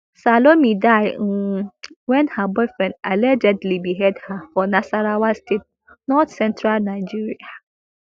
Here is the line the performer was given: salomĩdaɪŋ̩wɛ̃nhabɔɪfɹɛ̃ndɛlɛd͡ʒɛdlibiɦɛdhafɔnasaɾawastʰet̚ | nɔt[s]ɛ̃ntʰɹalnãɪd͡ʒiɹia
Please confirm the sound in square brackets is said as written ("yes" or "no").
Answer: yes